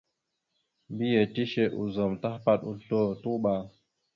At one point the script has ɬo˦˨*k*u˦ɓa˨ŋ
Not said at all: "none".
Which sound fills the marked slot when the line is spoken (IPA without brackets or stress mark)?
t